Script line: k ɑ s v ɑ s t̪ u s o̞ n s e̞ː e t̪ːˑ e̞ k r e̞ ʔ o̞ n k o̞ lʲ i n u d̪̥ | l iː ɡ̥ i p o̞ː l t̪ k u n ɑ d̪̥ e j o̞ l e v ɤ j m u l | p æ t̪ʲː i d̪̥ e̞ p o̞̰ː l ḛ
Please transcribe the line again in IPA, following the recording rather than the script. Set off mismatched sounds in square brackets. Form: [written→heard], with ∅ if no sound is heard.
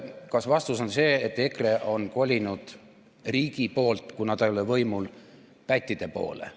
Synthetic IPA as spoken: k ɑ s v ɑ s t̪ u s o̞ n s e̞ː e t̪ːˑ e̞ k r e̞ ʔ o̞ n k o̞ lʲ i n u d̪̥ | [l→r] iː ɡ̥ i p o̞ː l t̪ k u n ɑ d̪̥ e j o̞ l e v ɤ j m u l | p æ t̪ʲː i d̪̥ e̞ p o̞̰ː l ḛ